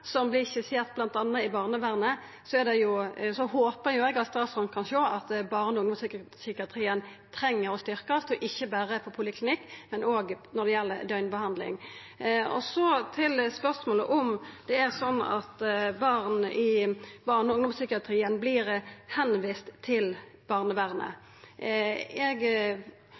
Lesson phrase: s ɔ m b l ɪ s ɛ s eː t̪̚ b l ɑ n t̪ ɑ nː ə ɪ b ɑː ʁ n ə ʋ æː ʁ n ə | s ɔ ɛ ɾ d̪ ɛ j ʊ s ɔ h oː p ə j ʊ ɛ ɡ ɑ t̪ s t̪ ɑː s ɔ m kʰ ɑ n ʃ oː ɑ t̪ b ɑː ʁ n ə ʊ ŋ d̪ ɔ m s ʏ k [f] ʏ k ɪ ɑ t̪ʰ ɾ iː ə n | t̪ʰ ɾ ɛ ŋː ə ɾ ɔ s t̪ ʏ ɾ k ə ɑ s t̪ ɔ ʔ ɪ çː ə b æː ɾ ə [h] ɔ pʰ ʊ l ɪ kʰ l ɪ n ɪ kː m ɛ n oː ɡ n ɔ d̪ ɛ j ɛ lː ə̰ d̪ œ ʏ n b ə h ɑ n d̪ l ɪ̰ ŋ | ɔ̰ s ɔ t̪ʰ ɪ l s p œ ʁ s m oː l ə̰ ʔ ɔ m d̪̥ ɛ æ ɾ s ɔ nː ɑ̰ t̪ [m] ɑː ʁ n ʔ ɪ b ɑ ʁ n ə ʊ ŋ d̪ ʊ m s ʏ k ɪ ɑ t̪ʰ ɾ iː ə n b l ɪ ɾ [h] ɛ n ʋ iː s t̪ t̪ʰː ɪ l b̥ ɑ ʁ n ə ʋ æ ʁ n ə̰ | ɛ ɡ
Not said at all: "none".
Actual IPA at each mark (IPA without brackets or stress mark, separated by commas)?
s, f, b, h